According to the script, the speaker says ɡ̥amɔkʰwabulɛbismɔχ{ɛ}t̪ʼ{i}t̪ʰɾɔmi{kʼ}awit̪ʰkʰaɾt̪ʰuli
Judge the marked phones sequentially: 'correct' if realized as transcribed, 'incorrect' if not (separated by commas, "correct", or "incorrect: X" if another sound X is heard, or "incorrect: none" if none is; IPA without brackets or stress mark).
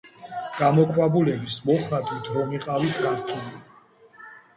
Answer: incorrect: a, correct, incorrect: qʼ